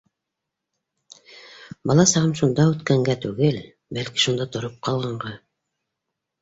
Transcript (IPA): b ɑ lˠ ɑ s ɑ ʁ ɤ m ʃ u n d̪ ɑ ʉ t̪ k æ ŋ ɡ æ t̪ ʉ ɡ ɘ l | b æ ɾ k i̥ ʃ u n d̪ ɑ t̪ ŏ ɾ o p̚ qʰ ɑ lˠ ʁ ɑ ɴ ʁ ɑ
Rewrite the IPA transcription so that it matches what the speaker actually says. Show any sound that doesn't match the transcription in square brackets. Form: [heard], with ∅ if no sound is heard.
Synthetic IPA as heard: b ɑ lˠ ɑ s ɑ ʁ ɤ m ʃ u n d̪ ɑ ʉ t̪ k æ ŋ ɡ æ t̪ ʉ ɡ ɘ l | b æ [l] k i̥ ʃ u n d̪ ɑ t̪ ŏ ɾ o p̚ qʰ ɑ lˠ ʁ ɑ ɴ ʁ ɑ